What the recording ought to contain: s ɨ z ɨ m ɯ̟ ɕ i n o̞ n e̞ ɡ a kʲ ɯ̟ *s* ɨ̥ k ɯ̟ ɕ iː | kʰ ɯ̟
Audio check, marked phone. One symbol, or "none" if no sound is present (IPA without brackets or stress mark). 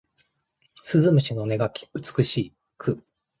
t͡s